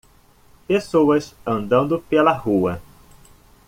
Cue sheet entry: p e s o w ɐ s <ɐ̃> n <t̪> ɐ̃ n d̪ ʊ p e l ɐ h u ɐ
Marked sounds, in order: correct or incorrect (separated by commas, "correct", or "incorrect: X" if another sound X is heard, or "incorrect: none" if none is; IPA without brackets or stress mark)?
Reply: correct, incorrect: d̪